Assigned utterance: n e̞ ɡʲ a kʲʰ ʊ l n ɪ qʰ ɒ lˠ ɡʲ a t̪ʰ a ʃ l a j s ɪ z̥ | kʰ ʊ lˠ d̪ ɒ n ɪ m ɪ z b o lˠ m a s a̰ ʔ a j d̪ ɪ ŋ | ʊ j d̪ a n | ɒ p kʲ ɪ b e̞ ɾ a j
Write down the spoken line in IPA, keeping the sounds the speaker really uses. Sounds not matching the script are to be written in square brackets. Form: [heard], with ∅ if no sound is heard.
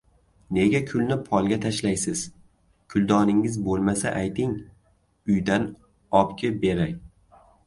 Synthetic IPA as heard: n e̞ ɡʲ a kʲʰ ʊ l n ɪ [pʰ] ɒ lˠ ɡʲ a t̪ʰ a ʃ l a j s ɪ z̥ | kʰ ʊ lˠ d̪ ɒ n ɪ [ŋ] ɪ z b o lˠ m a s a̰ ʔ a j [t̪] ɪ ŋ | ʊ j d̪ a n | ɒ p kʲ ɪ b e̞ ɾ a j